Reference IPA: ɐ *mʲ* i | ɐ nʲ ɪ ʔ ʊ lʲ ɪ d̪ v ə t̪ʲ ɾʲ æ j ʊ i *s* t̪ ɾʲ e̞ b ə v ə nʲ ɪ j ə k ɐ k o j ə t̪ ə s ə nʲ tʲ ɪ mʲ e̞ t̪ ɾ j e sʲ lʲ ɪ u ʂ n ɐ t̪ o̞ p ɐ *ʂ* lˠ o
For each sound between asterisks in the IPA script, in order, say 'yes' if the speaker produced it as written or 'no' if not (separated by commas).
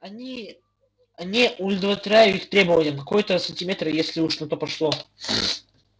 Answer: no, no, yes